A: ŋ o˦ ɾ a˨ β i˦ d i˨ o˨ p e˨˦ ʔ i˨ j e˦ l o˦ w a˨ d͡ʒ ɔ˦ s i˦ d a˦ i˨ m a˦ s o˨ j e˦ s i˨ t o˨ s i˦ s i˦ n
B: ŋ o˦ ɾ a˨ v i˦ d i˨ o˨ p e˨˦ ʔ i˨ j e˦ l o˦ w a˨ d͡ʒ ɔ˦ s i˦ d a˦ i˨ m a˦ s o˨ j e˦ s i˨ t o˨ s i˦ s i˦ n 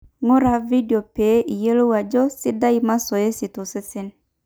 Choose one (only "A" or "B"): B